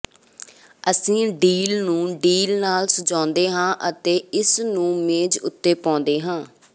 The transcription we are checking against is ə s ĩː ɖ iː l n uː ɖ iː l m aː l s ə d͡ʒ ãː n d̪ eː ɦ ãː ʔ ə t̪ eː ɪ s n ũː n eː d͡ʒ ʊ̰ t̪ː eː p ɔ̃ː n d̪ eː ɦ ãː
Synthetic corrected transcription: ə s ĩː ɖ iː l n ũː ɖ iː l n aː l s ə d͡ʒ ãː n d̪ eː ɦ ãː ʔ ə t̪ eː ɪ s n ũː m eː d͡ʒ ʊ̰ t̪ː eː p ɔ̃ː n d̪ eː ɦ ãː